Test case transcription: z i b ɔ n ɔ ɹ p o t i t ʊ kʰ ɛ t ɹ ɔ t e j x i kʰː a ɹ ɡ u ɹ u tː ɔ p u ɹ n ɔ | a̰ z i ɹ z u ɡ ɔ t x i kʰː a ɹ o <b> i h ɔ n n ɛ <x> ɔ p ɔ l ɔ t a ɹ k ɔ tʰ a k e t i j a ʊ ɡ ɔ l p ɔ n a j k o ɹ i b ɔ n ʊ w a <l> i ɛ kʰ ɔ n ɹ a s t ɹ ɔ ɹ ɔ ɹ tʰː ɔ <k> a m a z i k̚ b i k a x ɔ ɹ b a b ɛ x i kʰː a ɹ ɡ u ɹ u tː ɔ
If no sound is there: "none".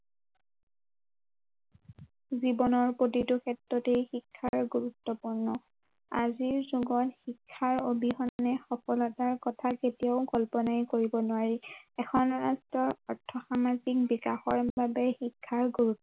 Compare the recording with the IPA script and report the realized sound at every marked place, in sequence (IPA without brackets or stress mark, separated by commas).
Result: b, x, ɹ, x